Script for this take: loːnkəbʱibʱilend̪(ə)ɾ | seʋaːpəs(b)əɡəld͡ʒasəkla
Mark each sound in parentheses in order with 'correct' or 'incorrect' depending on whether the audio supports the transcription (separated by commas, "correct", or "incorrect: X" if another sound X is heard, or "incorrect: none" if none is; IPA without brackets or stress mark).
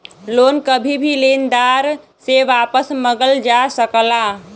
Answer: incorrect: a, incorrect: m